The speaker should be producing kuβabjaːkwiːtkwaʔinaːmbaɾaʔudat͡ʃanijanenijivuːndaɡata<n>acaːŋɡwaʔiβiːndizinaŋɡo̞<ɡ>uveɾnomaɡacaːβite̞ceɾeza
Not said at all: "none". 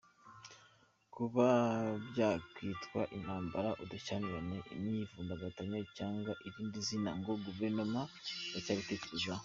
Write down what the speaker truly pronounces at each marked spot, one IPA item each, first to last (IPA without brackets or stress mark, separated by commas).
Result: ɲ, ɡ